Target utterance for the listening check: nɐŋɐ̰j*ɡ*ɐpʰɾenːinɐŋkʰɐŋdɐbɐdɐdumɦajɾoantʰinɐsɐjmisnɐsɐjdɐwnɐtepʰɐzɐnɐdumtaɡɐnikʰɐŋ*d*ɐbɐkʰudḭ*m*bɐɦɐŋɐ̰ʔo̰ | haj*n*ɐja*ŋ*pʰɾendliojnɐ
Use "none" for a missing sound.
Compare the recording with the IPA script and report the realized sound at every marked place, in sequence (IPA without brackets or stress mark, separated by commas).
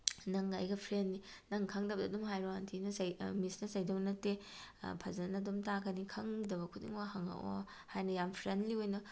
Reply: ɡ, d, ŋ, n, m